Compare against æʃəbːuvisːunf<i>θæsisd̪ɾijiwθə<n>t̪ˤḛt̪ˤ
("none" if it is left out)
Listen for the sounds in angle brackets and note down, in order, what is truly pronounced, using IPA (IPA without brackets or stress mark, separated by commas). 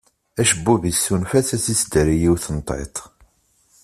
æ, n